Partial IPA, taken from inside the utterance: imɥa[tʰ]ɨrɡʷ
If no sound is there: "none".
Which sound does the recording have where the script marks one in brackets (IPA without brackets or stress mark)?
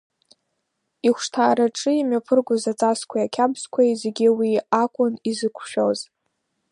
pʰ